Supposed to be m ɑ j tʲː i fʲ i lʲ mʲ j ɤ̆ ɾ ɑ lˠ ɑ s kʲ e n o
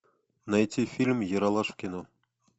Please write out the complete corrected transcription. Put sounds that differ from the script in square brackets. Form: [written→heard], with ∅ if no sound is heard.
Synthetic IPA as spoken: [m→n] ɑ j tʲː i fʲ i lʲ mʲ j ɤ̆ ɾ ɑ lˠ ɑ [s→ʂ] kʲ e n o